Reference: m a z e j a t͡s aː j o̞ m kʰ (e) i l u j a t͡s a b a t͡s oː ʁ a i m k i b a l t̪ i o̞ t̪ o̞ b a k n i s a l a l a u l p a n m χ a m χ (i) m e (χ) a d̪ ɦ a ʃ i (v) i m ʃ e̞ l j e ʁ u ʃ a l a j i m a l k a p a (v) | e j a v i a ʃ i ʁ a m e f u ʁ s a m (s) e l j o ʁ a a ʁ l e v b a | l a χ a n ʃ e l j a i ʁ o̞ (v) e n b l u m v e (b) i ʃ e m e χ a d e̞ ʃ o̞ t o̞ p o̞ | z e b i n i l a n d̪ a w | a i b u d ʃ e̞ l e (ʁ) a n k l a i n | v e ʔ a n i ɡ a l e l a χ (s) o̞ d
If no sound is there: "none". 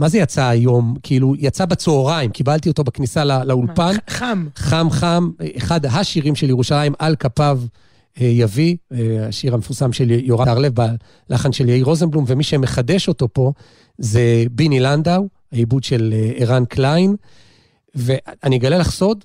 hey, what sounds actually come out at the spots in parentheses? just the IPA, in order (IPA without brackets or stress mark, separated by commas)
i, a, χ, ʁ, v, ʃ, z, m, ʁ, s